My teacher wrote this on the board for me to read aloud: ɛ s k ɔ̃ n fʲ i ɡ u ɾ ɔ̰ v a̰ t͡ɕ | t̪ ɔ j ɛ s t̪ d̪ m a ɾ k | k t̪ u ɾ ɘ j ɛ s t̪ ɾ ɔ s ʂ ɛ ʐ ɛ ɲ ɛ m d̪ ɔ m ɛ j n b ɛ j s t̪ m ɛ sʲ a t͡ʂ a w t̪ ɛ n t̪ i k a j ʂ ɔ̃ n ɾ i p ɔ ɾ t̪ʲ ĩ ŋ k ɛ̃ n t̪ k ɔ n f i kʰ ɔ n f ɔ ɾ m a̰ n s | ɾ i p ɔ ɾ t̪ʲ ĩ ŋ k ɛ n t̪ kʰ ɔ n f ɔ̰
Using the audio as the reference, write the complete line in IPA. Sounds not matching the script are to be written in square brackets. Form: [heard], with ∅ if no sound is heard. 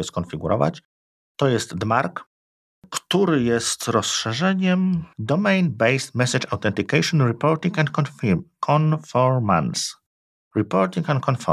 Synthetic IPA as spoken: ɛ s k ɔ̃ n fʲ i ɡ u ɾ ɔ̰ v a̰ t͡ɕ | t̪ ɔ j ɛ s t̪ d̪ m a ɾ k | k t̪ u ɾ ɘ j ɛ s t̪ ɾ ɔ s ʂ ɛ ʐ ɛ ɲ ɛ m d̪ ɔ m ɛ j n b ɛ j s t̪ m ɛ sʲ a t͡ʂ a w t̪ ɛ n t̪ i k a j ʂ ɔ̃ n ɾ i p ɔ ɾ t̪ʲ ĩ ŋ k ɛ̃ n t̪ k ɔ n f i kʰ ɔ n f ɔ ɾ m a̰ n s | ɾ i p ɔ ɾ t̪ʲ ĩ ŋ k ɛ n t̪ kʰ ɔ n f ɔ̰